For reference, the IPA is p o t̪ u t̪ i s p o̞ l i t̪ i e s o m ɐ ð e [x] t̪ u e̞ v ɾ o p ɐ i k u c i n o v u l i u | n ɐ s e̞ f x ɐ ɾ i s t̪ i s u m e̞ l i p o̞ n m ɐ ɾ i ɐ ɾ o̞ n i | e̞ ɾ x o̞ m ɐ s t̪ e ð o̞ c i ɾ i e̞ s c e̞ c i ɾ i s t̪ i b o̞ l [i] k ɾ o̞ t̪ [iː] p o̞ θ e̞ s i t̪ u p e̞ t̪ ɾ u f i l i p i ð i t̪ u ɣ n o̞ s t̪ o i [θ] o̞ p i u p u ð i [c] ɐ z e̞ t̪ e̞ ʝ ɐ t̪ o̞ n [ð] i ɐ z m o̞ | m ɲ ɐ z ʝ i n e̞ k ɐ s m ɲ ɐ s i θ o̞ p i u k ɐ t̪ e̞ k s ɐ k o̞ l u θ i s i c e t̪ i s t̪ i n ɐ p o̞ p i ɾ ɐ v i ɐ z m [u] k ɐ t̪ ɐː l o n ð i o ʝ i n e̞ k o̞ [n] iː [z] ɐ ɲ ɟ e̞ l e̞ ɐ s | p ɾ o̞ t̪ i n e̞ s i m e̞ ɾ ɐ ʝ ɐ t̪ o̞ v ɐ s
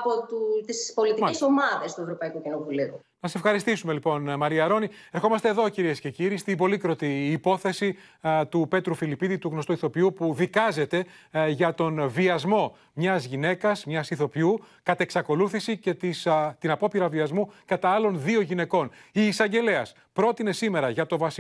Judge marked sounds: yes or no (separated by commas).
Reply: no, yes, yes, yes, no, no, yes, yes, no